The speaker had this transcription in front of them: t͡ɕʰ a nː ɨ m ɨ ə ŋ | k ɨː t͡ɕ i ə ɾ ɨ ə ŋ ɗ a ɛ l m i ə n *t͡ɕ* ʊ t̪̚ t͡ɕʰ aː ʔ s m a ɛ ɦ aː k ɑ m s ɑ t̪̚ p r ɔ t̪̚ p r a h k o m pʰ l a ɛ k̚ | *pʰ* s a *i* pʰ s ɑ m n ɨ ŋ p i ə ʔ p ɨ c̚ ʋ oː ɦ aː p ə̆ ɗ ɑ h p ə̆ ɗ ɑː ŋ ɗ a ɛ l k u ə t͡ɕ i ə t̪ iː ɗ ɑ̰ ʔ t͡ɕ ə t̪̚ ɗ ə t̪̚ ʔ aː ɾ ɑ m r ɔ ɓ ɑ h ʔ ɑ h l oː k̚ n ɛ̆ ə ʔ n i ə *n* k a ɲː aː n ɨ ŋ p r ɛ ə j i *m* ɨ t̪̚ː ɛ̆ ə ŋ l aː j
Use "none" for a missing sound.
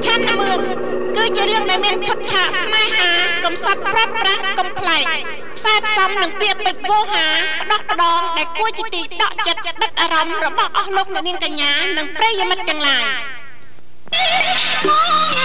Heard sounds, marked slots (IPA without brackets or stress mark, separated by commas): t͡ɕʰ, pʰ, ɛ, ŋ, m